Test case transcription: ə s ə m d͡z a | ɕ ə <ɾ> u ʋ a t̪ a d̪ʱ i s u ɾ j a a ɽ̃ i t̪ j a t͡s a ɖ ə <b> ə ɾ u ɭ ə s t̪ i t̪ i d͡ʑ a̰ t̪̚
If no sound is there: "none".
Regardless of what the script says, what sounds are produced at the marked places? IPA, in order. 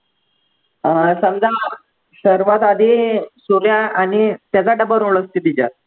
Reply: ɾ, b

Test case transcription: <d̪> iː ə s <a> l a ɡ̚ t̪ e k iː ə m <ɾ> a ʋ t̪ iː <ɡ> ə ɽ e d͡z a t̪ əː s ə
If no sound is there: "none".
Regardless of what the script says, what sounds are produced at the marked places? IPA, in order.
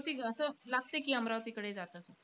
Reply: t̪, ə, ɾ, k

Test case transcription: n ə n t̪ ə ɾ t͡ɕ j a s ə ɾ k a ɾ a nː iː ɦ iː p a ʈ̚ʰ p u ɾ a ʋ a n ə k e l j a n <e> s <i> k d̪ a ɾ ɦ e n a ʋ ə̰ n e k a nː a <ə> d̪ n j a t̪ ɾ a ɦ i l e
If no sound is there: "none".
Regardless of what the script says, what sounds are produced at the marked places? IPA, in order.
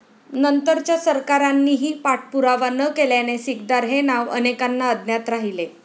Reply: e, i, ə

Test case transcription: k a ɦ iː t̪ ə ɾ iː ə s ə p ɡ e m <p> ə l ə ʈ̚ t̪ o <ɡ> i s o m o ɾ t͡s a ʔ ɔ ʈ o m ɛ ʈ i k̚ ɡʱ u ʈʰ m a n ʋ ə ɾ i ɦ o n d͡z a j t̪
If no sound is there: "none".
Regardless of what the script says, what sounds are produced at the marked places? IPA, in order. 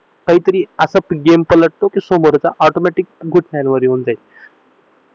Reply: p, k

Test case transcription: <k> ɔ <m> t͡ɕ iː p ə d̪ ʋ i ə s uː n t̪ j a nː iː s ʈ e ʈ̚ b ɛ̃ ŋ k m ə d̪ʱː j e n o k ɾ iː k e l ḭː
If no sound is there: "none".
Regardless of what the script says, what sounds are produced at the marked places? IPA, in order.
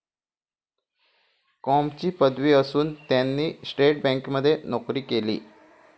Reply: k, m

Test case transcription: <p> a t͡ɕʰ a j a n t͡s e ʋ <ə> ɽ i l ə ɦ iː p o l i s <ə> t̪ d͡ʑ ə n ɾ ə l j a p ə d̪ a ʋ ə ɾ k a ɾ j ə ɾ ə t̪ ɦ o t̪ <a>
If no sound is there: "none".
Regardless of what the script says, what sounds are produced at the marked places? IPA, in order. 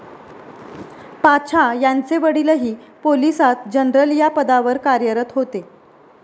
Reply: p, ə, a, e

